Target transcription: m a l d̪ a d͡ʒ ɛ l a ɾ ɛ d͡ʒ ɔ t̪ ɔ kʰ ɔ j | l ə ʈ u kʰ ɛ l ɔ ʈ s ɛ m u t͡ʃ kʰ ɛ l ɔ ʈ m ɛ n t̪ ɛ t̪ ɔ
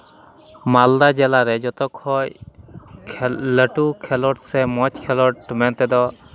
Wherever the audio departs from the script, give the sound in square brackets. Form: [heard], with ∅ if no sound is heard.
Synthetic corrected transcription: m a l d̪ a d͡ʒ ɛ l a ɾ ɛ d͡ʒ ɔ t̪ ɔ kʰ ɔ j | l ə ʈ u kʰ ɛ l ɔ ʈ s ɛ m [ɔ] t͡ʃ kʰ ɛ l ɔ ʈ m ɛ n t̪ ɛ [d̪] ɔ